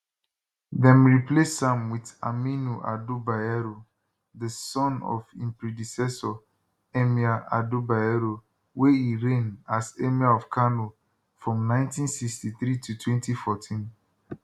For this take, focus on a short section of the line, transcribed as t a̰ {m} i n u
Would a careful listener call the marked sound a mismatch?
no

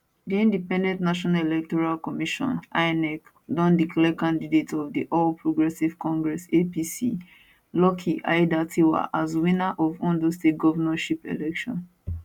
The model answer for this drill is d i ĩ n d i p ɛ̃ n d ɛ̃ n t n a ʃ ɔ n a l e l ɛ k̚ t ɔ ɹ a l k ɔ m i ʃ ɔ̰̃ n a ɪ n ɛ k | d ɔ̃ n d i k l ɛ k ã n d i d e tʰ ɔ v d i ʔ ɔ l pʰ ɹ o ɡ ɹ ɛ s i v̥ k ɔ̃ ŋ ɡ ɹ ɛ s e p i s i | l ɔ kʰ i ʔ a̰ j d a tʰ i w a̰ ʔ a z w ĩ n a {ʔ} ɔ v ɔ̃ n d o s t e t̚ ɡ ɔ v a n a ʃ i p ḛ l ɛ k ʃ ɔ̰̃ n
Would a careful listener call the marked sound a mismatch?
no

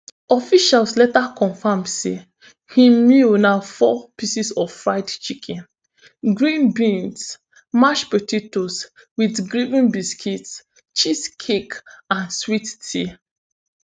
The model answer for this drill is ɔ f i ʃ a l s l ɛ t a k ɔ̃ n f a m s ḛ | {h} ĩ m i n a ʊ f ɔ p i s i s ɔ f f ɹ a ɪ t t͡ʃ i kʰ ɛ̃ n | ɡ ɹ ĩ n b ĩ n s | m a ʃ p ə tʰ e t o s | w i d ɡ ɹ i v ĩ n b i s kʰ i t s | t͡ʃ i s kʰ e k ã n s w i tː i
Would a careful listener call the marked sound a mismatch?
no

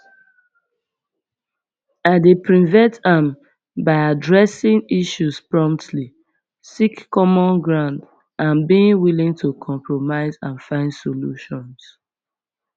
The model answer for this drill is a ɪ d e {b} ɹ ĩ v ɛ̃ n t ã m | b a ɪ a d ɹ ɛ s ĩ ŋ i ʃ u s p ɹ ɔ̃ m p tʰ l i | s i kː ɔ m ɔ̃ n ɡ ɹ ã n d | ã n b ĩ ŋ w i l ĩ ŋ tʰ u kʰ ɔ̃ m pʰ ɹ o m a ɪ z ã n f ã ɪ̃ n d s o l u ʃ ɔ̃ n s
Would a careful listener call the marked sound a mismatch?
yes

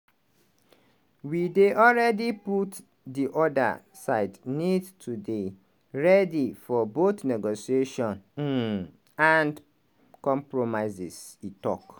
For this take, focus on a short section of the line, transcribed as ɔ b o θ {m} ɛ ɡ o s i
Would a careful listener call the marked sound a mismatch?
yes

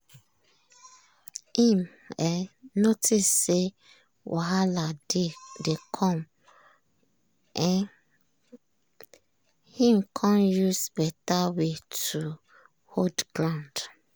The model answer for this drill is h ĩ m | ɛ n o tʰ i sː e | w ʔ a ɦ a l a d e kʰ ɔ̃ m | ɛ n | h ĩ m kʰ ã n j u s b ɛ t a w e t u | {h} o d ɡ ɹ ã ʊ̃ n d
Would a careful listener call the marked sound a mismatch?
no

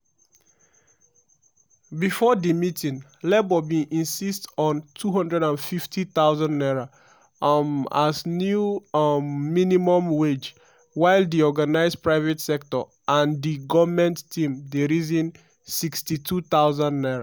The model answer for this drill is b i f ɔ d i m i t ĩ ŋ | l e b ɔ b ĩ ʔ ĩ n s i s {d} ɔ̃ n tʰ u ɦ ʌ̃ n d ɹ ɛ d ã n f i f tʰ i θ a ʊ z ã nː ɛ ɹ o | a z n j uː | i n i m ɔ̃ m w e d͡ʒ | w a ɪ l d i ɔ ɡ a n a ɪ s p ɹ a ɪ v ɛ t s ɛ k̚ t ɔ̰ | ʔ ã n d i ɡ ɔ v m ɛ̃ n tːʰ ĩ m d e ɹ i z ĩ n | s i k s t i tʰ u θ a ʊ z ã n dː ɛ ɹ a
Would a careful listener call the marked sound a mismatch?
yes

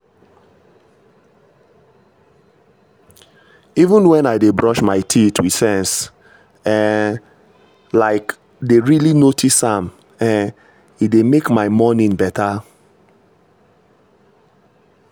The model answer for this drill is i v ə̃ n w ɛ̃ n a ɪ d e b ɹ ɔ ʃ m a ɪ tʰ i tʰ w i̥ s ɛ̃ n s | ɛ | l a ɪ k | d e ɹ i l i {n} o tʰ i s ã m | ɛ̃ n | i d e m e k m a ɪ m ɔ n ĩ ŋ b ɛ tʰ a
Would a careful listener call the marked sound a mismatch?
no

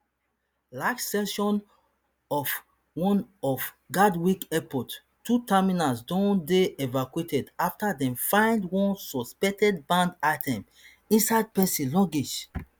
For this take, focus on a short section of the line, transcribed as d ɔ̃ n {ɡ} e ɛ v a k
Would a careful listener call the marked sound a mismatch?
yes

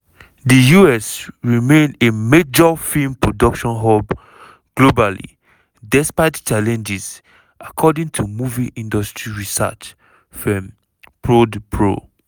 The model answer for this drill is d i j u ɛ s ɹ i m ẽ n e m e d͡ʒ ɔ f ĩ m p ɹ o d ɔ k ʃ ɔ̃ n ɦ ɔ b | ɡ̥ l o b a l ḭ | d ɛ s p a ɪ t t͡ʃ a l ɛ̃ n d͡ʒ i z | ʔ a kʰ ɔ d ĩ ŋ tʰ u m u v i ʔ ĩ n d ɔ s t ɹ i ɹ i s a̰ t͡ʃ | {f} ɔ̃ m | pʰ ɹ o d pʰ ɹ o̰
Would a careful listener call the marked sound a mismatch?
no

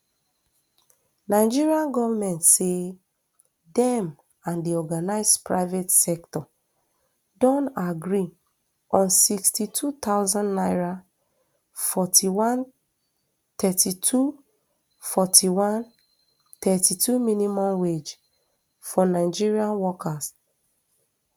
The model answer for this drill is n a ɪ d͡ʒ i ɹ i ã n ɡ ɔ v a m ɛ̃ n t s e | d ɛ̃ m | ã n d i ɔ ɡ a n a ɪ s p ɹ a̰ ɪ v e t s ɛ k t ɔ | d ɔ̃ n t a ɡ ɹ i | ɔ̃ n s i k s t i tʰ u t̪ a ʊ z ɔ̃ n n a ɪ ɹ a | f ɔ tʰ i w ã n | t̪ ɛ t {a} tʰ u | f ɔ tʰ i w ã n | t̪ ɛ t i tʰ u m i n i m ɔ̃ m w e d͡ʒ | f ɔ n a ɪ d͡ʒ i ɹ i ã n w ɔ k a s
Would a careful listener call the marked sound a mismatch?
yes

